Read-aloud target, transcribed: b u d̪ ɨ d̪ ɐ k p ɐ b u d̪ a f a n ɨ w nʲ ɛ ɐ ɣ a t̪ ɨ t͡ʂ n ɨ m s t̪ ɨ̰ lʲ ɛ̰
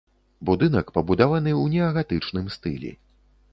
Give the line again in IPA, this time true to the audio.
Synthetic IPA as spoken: b u d̪ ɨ n̪ ɐ k p ɐ b u d̪ a v a n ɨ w nʲ ɛ ɐ ɣ a t̪ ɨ t͡ʂ n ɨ m s t̪ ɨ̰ lʲ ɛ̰